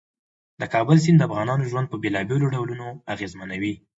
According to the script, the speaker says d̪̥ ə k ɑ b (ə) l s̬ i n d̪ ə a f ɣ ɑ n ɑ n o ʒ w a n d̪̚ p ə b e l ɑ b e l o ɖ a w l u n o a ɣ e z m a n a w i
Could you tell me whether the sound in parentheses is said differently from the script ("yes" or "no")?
no